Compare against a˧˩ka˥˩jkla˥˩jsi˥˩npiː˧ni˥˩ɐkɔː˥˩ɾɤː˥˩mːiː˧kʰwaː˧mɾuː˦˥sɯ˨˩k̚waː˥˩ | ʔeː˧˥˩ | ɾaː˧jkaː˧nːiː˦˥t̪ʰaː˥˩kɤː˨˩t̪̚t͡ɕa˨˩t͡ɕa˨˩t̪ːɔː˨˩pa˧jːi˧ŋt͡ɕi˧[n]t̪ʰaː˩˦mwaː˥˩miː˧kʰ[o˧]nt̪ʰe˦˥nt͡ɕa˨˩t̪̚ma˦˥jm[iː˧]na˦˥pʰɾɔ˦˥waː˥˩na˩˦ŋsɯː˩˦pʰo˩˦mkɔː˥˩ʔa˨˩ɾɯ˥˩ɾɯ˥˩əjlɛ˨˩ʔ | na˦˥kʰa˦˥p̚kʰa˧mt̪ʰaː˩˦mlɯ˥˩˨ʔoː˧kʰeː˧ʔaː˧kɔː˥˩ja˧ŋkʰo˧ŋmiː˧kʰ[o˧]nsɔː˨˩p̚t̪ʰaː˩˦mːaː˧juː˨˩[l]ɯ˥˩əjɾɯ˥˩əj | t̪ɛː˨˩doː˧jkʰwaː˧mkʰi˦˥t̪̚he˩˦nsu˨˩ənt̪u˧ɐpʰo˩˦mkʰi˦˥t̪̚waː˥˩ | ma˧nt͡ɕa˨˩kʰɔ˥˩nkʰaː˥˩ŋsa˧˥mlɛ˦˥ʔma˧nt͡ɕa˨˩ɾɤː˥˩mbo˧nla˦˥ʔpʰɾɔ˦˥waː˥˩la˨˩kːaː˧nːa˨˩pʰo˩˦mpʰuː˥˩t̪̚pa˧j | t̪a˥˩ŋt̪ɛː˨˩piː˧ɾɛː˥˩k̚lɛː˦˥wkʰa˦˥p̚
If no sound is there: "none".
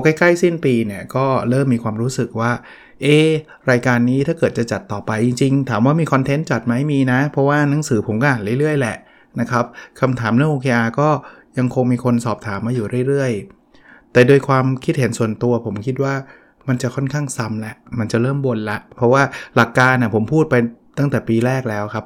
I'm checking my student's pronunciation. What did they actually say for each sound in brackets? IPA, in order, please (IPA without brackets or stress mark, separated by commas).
ŋ, ɔ˧, iː˧, o˧, ɾ